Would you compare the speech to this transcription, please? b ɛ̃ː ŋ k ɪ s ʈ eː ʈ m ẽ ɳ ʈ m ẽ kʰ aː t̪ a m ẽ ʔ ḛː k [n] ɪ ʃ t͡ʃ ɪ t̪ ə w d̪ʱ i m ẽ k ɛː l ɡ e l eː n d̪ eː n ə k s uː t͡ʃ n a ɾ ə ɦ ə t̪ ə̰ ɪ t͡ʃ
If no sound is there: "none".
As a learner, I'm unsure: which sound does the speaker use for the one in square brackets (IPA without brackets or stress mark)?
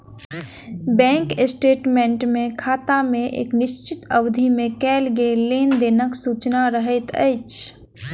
n